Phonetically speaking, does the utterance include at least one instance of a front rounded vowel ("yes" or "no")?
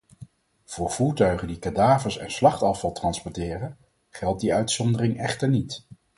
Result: yes